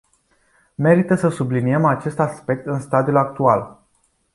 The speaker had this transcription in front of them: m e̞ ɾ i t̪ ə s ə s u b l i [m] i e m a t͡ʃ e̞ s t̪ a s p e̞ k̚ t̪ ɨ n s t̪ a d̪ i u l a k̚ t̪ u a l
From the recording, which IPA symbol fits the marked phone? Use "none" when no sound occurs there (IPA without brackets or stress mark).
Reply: n